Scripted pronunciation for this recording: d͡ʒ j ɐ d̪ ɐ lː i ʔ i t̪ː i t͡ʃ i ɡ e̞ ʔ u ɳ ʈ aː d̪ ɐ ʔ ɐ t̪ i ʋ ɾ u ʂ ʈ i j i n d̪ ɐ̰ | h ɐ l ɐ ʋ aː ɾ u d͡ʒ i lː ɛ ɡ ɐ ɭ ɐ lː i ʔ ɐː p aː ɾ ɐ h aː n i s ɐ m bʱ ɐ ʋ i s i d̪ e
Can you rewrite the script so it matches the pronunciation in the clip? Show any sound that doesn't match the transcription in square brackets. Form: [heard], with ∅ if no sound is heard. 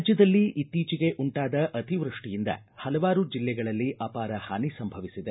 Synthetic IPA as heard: d͡ʒ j ɐ d̪ ɐ lː i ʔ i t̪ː [iː] t͡ʃ i ɡ e̞ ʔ u ɳ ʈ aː d̪ ɐ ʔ ɐ t̪ i ʋ ɾ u ʂ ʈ i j i n d̪ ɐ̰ | h ɐ l ɐ ʋ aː ɾ u d͡ʒ i lː ɛ ɡ ɐ ɭ ɐ lː i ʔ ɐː p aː ɾ ɐ h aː n i s ɐ m bʱ ɐ ʋ i s i d̪ e